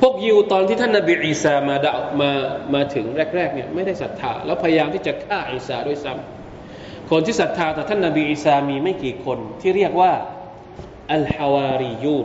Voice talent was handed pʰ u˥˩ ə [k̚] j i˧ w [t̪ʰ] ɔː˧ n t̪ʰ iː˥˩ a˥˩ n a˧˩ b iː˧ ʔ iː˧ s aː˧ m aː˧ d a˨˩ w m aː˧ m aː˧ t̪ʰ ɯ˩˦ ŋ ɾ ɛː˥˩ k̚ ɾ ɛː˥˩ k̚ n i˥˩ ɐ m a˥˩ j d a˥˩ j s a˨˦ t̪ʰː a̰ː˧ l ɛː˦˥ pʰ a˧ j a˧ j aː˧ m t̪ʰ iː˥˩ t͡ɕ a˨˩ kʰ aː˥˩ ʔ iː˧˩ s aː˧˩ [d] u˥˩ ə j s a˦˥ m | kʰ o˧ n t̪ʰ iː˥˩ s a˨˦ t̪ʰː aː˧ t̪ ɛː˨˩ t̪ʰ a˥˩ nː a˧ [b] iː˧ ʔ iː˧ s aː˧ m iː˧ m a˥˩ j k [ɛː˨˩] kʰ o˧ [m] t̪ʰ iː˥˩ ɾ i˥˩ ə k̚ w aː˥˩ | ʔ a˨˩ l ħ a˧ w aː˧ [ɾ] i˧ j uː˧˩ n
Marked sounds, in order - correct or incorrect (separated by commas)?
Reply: correct, incorrect, correct, correct, incorrect, incorrect, correct